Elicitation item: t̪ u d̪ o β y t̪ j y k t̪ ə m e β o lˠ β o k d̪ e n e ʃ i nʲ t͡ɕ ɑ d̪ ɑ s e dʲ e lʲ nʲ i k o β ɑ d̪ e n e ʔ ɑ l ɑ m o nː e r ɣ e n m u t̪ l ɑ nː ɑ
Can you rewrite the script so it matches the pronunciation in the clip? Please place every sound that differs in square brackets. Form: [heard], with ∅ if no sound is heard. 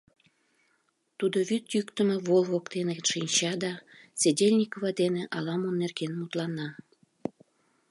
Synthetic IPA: t̪ u d̪ o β y t̪ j y k t̪ ə m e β o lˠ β o k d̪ e n e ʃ i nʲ t͡ɕ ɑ d̪ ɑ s e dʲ e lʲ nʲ i k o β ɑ d̪ e n e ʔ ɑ l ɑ m o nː e r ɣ e n m u t̪ l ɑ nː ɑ